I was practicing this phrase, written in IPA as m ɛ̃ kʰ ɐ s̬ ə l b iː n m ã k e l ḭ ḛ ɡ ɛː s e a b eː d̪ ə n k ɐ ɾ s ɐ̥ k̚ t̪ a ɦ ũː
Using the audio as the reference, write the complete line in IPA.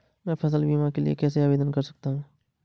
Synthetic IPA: m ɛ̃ pʰ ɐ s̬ ə l b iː m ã k e l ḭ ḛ k ɛː s e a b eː d̪ ə n k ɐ ɾ s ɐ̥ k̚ t̪ a ɦ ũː

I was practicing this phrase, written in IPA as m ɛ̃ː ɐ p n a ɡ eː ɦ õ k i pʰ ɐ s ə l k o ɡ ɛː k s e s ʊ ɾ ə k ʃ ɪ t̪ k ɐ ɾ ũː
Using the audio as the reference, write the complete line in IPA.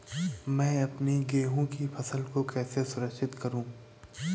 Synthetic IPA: m ɛ̃ː ɐ p n i ɡ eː ɦ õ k i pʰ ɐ s ə l k o k ɛː s e s ʊ ɾ ə k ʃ ɪ t̪ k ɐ ɾ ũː

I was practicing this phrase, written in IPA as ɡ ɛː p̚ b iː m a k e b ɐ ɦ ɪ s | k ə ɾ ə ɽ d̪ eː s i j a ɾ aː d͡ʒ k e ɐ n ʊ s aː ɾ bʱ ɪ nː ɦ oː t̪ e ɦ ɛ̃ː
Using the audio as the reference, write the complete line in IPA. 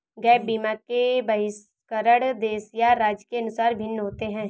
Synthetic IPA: ɡ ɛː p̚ b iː m a k e b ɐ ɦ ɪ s | k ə ɾ ə ɽ d̪ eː s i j a ɾ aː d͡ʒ k e ɐ n ʊ s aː ɾ bʱ ɪ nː ɦ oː t̪ e ɦ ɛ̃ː

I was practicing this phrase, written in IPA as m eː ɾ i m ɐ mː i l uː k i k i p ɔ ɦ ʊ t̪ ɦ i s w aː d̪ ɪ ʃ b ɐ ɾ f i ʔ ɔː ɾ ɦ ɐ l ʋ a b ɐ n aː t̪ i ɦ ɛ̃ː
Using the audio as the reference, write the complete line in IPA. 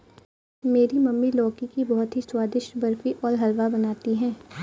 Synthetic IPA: m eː ɾ i m ɐ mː i l ɔː k i k i b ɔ ɦ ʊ t̪ ɦ i s w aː d̪ ɪ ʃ b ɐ ɾ f i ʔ ɔː ɾ ɦ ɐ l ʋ a b ɐ n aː t̪ i ɦ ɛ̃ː

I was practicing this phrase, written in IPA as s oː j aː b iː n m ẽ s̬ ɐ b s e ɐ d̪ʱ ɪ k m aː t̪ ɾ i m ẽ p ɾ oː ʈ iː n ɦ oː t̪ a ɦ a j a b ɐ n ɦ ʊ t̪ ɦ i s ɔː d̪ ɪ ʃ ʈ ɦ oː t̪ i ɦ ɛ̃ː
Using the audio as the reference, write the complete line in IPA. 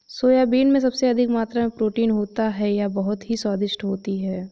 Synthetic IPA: s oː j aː b iː n m ẽ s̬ ɐ b s e ɐ d̪ʱ ɪ k m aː t̪ ɾ a m ẽ p ɾ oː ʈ iː n ɦ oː t̪ a ɦ ɛ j a b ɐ ɦ ʊ t̪ ɦ i s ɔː d̪ ɪ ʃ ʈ ɦ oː t̪ i ɦ ɛː

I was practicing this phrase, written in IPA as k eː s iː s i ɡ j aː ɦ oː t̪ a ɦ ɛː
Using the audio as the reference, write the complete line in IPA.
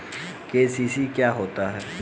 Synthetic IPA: k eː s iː s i k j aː ɦ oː t̪ a ɦ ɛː

